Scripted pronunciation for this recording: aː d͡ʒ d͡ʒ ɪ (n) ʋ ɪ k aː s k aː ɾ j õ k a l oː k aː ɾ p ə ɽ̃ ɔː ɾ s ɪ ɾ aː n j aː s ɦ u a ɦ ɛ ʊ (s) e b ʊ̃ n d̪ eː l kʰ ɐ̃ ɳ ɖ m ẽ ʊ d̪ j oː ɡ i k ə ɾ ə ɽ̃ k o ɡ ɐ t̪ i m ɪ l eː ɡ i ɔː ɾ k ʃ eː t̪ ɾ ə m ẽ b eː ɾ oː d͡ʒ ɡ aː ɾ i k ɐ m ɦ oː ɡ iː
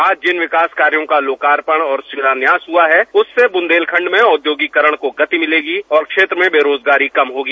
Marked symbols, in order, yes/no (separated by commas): yes, no